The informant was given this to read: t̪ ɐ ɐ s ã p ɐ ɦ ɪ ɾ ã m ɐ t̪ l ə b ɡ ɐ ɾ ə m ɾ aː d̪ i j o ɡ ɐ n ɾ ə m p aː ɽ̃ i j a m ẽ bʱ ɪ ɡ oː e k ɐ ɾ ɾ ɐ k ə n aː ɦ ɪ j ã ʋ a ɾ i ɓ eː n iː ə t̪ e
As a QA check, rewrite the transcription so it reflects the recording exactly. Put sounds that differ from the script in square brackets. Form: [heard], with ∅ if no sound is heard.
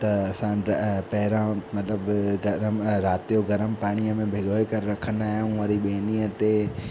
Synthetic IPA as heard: t̪ ɐ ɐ s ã p ɐ ɦ ɪ ɾ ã m ɐ t̪ l ə b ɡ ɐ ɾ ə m ɾ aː [t̪] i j o ɡ ɐ [∅] ɾ ə m p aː ɽ̃ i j [ə] m ẽ bʱ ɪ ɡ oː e k ɐ ɾ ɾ ɐ [kʰ] ə n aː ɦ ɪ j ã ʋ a ɾ i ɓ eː n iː ə t̪ e